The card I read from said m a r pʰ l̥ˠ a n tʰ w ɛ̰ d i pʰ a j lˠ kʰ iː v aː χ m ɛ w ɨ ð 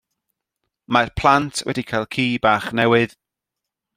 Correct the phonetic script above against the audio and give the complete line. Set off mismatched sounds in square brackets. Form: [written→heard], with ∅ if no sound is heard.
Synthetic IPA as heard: m a r pʰ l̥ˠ a n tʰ w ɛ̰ d i [pʰ→kʰ] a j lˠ kʰ iː [v→b] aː χ [m→n] ɛ w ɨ ð